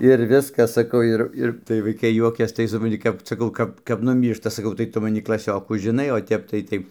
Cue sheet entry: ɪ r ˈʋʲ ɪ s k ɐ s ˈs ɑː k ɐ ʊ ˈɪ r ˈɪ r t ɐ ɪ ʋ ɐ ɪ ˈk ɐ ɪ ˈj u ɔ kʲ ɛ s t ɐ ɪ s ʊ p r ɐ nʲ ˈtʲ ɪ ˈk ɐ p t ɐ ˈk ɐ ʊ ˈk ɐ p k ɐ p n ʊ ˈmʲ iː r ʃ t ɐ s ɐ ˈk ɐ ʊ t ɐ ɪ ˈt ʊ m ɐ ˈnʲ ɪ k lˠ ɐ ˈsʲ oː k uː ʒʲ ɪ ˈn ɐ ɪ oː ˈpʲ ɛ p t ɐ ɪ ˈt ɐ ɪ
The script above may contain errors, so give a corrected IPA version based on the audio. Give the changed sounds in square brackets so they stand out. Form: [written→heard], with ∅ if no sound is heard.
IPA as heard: ɪ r ˈʋʲ ɪ s k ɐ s ˈs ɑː k ɐ ʊ ˈɪ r ˈɪ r t ɐ ɪ ʋ ɐ ɪ ˈk ɐ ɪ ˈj u ɔ kʲ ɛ s t ɐ ɪ s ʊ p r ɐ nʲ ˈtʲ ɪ ˈk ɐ p [t→s] ɐ ˈk ɐ ʊ ˈk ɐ p k ɐ p n ʊ ˈmʲ iː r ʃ t ɐ s ɐ ˈk ɐ ʊ t ɐ ɪ ˈt ʊ m ɐ ˈnʲ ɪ k lˠ ɐ ˈsʲ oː k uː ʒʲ ɪ ˈn ɐ ɪ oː [ˈpʲ→ˈtʲ] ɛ p t ɐ ɪ ˈt ɐ ɪ